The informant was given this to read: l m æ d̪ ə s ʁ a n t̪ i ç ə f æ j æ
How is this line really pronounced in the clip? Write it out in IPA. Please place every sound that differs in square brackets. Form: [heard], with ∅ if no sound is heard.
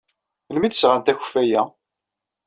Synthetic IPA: l m [i] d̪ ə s ʁ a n t̪ [æ] ç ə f æ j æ